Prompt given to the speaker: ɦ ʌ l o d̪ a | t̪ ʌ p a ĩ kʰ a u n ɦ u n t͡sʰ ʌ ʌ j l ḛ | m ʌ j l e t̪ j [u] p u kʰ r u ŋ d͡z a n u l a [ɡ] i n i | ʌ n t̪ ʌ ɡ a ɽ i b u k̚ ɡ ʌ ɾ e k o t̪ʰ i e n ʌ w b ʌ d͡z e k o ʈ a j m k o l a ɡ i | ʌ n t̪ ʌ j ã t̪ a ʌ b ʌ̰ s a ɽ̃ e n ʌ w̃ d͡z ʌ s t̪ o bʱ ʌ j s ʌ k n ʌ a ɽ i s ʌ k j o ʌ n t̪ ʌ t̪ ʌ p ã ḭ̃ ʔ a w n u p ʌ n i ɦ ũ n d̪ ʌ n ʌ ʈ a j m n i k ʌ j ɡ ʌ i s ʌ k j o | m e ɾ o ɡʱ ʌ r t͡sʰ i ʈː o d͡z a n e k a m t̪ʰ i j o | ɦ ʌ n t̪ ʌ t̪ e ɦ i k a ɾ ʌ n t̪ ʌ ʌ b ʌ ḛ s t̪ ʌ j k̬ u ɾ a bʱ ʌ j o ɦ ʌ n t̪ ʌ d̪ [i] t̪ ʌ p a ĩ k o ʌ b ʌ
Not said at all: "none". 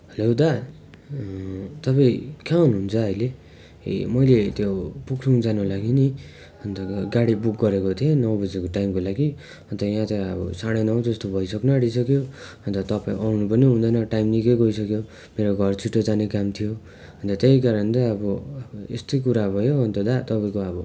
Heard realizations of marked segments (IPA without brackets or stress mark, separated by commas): o, ɡ, a